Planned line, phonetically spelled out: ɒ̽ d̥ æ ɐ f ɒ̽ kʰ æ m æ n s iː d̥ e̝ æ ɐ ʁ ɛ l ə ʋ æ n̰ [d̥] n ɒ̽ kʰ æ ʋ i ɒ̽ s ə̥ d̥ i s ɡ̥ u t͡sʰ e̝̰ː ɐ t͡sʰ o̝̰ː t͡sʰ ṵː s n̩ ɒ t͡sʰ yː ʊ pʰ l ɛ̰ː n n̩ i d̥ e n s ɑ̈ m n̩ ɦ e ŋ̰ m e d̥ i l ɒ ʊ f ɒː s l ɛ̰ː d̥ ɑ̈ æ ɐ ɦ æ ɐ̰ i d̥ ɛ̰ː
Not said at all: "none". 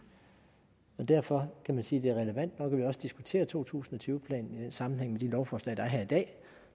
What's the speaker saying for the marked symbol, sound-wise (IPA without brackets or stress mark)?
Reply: d̥